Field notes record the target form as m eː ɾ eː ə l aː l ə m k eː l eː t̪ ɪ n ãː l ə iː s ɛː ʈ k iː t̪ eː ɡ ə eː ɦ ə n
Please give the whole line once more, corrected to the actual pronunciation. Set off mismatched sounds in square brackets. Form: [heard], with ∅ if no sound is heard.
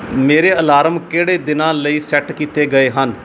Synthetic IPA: m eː ɾ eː ə l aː [ɾ] ə m k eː [ɽ] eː [d̪] ɪ n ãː l ə iː s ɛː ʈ k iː t̪ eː ɡ ə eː ɦ ə n